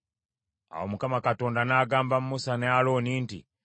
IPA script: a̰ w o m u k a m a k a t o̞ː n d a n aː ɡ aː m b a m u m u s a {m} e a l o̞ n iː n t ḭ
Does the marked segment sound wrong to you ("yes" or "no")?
yes